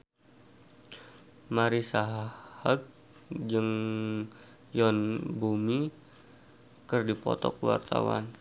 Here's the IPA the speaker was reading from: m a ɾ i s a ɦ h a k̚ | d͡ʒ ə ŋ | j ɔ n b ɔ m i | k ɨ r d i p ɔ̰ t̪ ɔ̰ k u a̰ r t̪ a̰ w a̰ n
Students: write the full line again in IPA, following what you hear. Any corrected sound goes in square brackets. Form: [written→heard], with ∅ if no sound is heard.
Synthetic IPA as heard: m a ɾ i s a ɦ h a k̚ | d͡ʒ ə ŋ | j ɔ n b [ɔ→u] m i | k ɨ r d i p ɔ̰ t̪ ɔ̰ k [u→w] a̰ r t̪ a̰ w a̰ n